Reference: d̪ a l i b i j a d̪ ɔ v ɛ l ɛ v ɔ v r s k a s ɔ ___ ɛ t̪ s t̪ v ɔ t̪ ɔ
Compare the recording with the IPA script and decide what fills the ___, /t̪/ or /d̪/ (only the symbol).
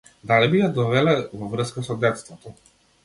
d̪